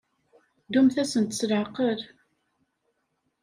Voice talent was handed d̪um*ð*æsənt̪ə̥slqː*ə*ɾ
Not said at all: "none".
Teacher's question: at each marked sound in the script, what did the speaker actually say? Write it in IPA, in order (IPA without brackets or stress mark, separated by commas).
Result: θ, ə